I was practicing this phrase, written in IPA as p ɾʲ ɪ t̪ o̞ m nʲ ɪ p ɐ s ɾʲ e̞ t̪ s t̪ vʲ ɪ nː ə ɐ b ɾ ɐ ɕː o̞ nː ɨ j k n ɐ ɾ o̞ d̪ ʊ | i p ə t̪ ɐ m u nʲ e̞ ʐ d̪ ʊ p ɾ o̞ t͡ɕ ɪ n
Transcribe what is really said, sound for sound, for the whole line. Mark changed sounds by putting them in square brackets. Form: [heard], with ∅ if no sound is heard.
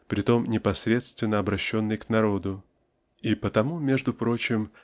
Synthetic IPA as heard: p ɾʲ ɪ t̪ o̞ m nʲ ɪ p ɐ s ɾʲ e̞ t̪ s t̪ vʲ ɪ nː ə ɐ b ɾ ɐ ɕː o̞ nː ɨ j k n ɐ ɾ o̞ d̪ ʊ | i p ə t̪ ɐ m u [mʲ] e̞ ʐ d̪ ʊ p ɾ o̞ t͡ɕ ɪ [m]